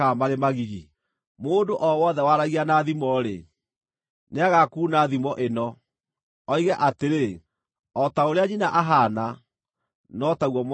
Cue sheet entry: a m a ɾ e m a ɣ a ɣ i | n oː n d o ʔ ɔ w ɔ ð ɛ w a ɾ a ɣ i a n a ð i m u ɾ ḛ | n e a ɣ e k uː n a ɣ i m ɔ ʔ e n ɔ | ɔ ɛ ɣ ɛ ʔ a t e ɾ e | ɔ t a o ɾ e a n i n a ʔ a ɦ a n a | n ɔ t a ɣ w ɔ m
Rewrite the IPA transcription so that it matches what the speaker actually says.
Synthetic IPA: a m a ɾ e m a ɣ i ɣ i | m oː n d o ʔ ɔ w ɔ ð ɛ w a ɾ a ɣ i a n a ð i m ɔ ɾ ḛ | n e a ɣ a k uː n a ð i m ɔ ʔ e n ɔ | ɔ i ɣ ɛ ʔ a t e ɾ e | ɔ t a o ɾ e a ɲ i n a ʔ a ɦ a n a | n ɔ t a ɣ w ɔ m